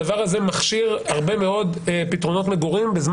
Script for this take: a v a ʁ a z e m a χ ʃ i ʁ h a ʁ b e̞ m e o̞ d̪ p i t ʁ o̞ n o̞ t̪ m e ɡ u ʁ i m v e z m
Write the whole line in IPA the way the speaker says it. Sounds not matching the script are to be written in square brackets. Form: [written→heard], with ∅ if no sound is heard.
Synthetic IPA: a v a ʁ a z e m a χ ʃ i ʁ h a ʁ b e̞ m e o̞ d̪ p i t ʁ o̞ n o̞ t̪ m e ɡ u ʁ i m [v→b] e z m